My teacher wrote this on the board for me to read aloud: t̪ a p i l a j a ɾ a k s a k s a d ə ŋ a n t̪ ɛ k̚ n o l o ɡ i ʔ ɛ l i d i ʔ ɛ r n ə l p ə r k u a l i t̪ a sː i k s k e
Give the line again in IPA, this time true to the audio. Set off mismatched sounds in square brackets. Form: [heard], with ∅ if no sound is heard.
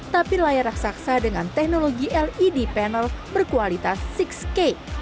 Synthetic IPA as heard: t̪ a p i l a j a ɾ a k s a k s a d ə ŋ a n t̪ ɛ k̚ n o l o ɡ i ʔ ɛ l i d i [p] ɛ [∅] n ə l [b] ə r k u a l i t̪ a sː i k s k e

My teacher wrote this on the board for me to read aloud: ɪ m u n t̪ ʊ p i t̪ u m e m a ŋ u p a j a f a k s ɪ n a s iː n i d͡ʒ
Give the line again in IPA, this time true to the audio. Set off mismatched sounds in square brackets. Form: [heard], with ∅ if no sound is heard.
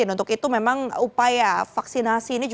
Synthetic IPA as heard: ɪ [n] u n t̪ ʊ [k] i t̪ u m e m a ŋ u p a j a f a k s [i] n a s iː n i d͡ʒ

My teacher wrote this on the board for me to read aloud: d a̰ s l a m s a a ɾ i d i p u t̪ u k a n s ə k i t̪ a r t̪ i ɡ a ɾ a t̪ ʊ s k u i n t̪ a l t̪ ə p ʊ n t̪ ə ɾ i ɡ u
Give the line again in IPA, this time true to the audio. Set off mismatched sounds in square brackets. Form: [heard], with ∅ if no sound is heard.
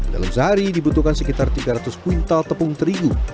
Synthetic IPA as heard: d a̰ [∅] l a m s a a ɾ i d i [b] u t̪ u k a n s ə k i t̪ a r t̪ i ɡ a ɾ a t̪ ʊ s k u i n t̪ a l t̪ ə p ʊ [ŋ] t̪ ə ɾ i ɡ u

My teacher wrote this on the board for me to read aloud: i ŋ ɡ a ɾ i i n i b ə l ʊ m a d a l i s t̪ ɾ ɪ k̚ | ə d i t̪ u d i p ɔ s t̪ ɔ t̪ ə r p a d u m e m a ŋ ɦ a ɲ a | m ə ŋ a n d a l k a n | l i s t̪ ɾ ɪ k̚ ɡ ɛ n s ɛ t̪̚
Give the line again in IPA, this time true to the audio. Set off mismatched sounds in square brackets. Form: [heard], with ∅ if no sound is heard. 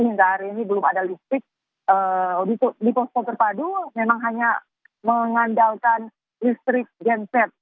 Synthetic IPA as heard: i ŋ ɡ a ɾ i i n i b ə l ʊ m a d a l i s t̪ ɾ ɪ k̚ | ə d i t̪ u d i p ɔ s t̪ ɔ t̪ ə r p a d u m e m a ŋ ɦ a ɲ a | m ə ŋ a n d a l k a n | l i s t̪ ɾ ɪ k̚ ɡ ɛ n s ɛ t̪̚

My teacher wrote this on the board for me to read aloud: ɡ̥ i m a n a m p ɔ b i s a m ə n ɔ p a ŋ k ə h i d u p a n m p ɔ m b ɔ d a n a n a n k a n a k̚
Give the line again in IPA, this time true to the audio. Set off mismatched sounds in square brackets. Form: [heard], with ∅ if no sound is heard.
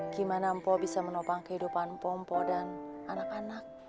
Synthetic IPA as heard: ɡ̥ i m a n a m p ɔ b i s a m ə n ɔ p a ŋ k ə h i d u p a n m p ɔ m [p] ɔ d a n a n a [∅] k a n a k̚

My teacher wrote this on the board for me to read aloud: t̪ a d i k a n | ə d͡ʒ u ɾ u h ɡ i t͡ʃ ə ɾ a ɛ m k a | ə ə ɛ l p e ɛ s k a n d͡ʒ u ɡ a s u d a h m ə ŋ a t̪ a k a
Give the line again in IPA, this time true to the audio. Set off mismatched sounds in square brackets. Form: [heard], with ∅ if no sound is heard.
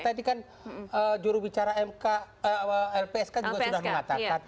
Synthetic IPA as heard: t̪ a d i k a n | ə d͡ʒ u ɾ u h [b] i t͡ʃ [a] ɾ a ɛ m k a | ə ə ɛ l p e ɛ s k a n d͡ʒ u ɡ a s u d a h m ə ŋ a t̪ a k a

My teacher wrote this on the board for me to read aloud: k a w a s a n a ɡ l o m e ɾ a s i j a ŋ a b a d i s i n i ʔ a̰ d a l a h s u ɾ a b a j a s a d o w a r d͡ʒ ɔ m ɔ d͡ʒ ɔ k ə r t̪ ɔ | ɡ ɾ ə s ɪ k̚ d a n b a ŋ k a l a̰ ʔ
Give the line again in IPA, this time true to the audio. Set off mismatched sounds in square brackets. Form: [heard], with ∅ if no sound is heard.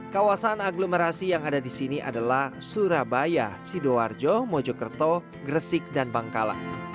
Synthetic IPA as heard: k a w a s a n a ɡ l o m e ɾ a s i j a ŋ a [d] a d i s i n i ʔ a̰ d a l a h s u ɾ a b a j a s [i] d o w a r d͡ʒ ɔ m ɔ d͡ʒ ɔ k ə r t̪ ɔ | ɡ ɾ ə s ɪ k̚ d a n b a ŋ k a l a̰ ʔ

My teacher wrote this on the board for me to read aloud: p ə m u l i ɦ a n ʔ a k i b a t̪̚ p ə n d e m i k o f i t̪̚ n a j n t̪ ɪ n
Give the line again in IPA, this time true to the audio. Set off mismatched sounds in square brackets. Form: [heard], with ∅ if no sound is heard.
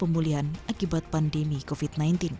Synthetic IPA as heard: p ə m u l i ɦ a n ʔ a k i b a t̪̚ p [a] n d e m i k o f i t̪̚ n a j n t̪ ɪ n

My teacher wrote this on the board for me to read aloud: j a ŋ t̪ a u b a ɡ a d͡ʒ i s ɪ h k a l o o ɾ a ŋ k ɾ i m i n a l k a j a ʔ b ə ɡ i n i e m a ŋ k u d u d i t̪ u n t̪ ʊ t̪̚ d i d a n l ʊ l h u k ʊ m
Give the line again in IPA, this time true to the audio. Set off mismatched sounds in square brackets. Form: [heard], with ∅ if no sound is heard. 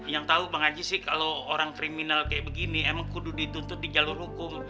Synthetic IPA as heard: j a ŋ t̪ a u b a [ŋ] a d͡ʒ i s ɪ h k a l o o ɾ a ŋ k ɾ i m i n a l k a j a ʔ b ə ɡ i n i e m a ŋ k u d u d i t̪ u n t̪ ʊ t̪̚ d i [d͡ʒ] a [∅] l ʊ [r] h u k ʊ m

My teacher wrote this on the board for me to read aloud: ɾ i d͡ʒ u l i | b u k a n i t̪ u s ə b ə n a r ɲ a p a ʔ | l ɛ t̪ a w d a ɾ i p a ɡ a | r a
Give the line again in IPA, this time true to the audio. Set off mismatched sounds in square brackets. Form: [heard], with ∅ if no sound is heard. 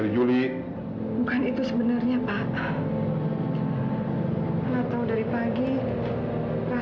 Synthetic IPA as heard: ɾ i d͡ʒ u l i | b u k a n i t̪ u s ə b ə n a r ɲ a p a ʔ | l [a] t̪ a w d a ɾ i p a ɡ [i] | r a

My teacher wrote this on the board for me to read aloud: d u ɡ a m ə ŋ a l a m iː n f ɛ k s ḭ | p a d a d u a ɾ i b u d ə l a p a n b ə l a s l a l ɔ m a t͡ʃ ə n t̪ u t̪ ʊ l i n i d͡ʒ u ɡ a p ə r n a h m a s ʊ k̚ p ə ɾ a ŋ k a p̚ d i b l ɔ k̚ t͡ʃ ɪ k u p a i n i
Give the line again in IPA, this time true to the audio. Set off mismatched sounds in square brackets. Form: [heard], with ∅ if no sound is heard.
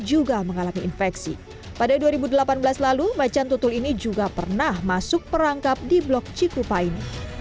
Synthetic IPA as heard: [d͡ʒ] u ɡ a m ə ŋ a l a m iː n f ɛ k s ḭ | p a d a d u a ɾ i b u d ə l a p a n b ə l a s l a l [u] m a t͡ʃ [a] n t̪ u t̪ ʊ l i n i d͡ʒ u ɡ a p ə r n a h m a s ʊ k̚ p ə ɾ a ŋ k a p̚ d i b l ɔ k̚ t͡ʃ [i] k u p a i n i

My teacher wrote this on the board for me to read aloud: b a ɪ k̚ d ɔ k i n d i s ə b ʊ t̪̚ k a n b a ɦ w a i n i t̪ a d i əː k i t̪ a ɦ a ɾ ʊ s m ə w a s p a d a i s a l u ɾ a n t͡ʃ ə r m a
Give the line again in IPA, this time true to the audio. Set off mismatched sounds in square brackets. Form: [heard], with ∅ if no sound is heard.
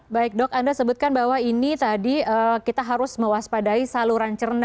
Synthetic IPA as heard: b a ɪ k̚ d ɔ k [a] n d [a] s ə b ʊ t̪̚ k a n b a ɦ w a i n i t̪ a d i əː k i t̪ a ɦ a ɾ ʊ s m ə w a s p a d a i s a l u ɾ a n t͡ʃ ə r [n] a

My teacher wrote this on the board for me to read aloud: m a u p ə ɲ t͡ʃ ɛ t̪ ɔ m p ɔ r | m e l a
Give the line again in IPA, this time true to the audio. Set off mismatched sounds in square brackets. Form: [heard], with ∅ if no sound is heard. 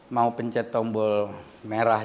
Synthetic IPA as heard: m a u p ə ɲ t͡ʃ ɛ t̪ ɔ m [b] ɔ [l] | m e [ɾ] a

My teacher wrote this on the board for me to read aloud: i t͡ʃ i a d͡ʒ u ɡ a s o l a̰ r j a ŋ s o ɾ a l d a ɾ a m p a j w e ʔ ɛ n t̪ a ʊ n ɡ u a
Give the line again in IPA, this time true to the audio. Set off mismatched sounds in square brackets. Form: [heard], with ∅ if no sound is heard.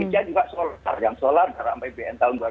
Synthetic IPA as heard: i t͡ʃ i a d͡ʒ u ɡ a s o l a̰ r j a ŋ s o [l] a [r] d a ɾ a m p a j [b] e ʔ ɛ n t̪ a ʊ n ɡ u a

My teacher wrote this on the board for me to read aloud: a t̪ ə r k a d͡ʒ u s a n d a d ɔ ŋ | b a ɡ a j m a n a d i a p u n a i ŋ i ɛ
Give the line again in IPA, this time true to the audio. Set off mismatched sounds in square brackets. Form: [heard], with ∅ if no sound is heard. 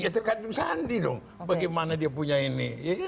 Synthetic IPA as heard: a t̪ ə r k a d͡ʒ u s a n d [i] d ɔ ŋ | b a ɡ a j m a n a d i a p u [ɲ] a i [n] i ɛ

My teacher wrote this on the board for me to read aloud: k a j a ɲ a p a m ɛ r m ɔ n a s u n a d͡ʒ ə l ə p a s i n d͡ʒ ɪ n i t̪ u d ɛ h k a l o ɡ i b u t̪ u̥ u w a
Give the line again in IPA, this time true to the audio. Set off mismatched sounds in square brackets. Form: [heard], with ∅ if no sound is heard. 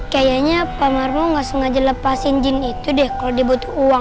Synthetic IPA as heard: k a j a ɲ a p a m [a] r m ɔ [ŋ] a s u [ŋ] a d͡ʒ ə l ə p a s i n d͡ʒ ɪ n i t̪ u d ɛ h k a l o [d] i b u t̪ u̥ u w a

